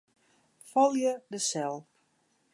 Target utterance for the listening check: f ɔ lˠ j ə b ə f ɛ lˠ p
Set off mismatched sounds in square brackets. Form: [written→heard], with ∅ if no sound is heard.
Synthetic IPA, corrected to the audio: f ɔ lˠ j ə [b→d] ə [f→s] ɛ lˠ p

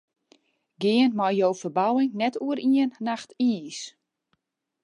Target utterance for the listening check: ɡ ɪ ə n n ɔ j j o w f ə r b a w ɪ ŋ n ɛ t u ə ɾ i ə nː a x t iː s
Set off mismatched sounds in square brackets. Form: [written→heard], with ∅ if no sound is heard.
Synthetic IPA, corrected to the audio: ɡ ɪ ə n [n→m] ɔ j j o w f ə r b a w ɪ ŋ n ɛ t u ə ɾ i ə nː a x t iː s

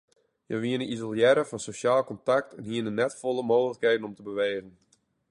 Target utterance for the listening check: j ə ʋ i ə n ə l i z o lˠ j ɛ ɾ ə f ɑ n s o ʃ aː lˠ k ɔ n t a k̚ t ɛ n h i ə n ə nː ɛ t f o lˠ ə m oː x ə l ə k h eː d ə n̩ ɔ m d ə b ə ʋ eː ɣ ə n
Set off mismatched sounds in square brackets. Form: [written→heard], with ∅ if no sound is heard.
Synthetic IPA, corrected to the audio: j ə ʋ i ə n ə [l→∅] i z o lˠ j ɛ ɾ ə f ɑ n s o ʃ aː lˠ k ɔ n t a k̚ t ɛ n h i ə n ə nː ɛ t f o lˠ ə m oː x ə l ə k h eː d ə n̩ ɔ m [d→t] ə b ə ʋ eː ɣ ə n

